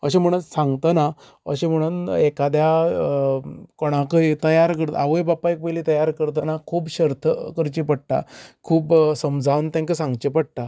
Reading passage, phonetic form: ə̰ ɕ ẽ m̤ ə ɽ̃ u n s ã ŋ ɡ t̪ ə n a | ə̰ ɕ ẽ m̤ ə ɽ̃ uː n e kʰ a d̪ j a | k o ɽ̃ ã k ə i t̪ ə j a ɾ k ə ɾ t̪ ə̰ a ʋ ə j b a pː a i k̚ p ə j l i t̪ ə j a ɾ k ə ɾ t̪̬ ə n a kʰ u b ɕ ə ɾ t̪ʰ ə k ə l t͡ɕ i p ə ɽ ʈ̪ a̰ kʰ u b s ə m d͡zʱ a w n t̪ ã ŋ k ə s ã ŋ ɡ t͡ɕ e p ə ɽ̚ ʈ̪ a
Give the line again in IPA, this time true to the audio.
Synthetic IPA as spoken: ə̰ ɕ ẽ m̤ ə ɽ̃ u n s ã ŋ ɡ t̪ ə n a | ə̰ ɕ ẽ m̤ ə ɽ̃ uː n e k a d̪ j a | k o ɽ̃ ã k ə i t̪ ə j a ɾ k ə ɾ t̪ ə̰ a ʋ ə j b a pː a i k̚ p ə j l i t̪ ə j a ɾ k ə ɾ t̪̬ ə n a kʰ uː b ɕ ə ɾ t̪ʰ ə k ə ɾ t͡ɕ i p ə ɽ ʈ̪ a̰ kʰ uː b s ə m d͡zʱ a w n t̪ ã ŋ k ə s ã ŋ ɡ t͡ɕ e p ə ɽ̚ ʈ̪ a